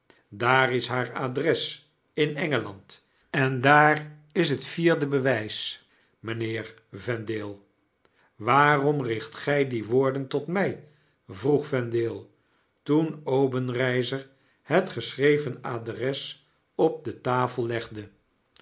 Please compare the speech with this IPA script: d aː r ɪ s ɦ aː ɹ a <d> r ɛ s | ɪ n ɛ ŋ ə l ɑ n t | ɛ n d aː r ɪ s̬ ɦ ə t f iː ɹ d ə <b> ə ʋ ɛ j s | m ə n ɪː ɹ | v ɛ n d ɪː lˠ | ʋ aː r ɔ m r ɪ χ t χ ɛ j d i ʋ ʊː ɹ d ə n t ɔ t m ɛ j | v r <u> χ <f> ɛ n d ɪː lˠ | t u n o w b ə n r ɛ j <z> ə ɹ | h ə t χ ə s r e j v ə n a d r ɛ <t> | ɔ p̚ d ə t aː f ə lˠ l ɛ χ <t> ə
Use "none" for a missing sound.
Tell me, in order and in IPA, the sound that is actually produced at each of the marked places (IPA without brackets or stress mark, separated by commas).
d, b, u, f, z, s, d